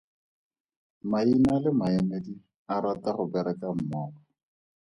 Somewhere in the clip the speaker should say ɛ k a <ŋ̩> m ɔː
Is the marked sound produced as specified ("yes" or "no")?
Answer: no